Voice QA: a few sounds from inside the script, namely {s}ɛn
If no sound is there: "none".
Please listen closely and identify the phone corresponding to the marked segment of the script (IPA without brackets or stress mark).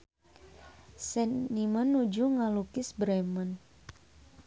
s